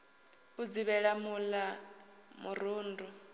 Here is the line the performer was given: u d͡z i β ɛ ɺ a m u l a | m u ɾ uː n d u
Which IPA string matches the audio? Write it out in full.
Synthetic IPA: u d͡z i β ɛ ɺ a m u l a | m u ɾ uː n d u